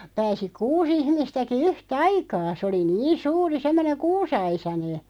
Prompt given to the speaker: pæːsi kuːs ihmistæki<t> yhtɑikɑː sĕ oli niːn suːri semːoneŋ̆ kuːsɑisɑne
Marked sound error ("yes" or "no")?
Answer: yes